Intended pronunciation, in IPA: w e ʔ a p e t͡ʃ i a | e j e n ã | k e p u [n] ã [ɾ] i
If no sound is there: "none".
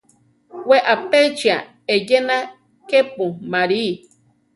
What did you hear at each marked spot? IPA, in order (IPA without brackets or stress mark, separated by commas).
m, ɾ